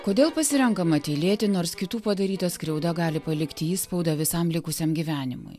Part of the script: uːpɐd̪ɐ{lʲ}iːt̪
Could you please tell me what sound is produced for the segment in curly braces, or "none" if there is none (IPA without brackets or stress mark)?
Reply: ɾʲ